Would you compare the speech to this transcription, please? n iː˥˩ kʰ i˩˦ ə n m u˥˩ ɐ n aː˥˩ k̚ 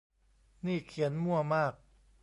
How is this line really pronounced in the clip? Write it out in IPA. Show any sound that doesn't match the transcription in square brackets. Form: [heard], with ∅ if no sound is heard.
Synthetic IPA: n iː˥˩ kʰ i˩˦ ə n m u˥˩ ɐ [m] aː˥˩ k̚